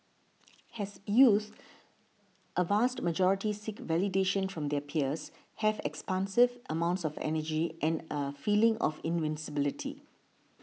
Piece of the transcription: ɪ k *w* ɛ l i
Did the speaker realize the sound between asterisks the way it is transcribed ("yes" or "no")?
no